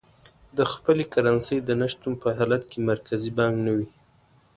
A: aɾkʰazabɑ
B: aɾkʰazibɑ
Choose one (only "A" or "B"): B